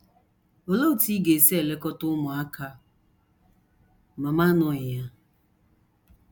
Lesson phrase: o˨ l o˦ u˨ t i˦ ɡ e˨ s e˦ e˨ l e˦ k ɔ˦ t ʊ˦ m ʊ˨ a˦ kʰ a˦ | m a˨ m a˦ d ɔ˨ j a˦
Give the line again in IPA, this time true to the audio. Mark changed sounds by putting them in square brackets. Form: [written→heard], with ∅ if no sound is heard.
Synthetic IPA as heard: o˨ l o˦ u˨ t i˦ ɡ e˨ s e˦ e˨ l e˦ k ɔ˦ t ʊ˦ m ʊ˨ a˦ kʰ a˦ | m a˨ m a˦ [d→n] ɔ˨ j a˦